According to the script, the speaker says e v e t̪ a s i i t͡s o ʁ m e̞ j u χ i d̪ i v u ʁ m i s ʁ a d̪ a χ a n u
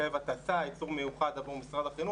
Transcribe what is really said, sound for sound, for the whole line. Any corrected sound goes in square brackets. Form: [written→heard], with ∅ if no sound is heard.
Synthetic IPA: e v [e→a] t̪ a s [i→a] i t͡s [o→u] ʁ m e̞ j u χ [i→a] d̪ [i→a] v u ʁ m i s ʁ a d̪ a χ [a→i] n u